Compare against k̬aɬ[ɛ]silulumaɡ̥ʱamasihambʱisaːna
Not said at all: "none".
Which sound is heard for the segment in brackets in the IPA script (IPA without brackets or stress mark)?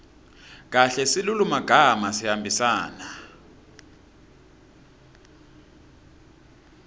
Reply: ɛ